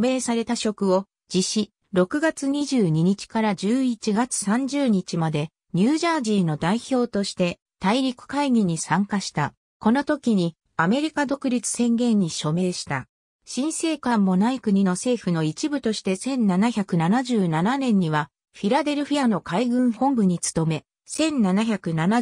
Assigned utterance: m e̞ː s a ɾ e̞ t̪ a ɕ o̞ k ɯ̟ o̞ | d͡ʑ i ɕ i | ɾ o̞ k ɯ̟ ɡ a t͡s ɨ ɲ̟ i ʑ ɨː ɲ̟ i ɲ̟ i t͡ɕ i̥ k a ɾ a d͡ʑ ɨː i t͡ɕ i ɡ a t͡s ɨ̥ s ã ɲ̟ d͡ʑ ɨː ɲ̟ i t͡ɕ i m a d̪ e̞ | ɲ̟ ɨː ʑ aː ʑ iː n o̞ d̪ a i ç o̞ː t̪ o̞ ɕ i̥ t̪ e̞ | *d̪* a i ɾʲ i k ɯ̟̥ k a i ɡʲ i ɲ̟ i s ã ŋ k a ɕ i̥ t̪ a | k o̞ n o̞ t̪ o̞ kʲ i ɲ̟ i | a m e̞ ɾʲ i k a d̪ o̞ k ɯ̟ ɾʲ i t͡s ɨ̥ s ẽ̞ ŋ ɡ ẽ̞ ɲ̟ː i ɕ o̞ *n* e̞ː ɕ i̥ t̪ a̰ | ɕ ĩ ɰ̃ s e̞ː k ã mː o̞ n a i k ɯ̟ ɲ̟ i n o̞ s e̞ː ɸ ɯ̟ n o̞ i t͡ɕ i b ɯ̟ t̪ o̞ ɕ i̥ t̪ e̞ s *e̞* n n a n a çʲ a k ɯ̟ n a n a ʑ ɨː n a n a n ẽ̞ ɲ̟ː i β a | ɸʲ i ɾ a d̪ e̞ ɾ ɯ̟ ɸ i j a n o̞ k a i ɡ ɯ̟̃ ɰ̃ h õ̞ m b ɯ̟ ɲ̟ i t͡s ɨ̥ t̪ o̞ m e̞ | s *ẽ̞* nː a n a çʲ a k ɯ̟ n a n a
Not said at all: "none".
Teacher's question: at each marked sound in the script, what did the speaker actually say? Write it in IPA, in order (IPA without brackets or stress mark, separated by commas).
t̪, m, ẽ̞, ẽ̞